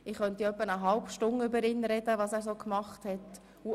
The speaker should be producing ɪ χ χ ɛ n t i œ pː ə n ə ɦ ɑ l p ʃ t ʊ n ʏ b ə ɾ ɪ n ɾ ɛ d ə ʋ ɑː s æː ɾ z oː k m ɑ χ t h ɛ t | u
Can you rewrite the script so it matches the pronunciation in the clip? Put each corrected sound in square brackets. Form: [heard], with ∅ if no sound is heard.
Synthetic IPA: ɪ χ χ [œ] n t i œ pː ə n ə ɦ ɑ l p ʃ t ʊ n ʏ b ə ɾ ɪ n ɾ ɛ d ə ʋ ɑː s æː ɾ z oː k m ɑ χ t h ɛ t | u